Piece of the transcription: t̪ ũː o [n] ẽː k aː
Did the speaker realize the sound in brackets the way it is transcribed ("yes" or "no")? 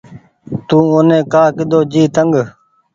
yes